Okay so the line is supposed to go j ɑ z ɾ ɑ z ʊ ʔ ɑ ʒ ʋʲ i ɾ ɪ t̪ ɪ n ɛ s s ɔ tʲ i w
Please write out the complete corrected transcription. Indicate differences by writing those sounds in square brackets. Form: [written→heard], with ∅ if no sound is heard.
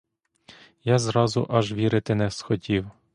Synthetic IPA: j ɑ z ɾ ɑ z ʊ ʔ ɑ ʒ ʋʲ i ɾ ɪ t̪ ɪ n ɛ s [s→x] ɔ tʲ i w